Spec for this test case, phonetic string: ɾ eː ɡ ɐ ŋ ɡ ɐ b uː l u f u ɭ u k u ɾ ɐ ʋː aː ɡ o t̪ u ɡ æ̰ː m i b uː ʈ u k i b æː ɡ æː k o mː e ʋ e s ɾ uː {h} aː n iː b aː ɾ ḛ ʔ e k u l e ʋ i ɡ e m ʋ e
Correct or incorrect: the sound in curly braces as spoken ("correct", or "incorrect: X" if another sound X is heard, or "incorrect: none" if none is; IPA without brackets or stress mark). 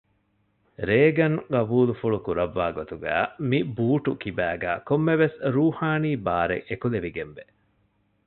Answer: correct